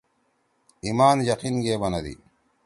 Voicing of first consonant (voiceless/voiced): voiced